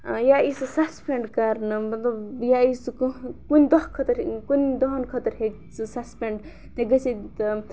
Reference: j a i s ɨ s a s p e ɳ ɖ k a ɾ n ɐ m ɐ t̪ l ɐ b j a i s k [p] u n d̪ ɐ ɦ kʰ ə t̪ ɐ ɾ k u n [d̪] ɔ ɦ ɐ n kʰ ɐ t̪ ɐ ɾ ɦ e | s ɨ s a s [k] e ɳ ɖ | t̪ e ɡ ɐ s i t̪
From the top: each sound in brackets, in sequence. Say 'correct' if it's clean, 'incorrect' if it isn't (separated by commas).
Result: incorrect, correct, incorrect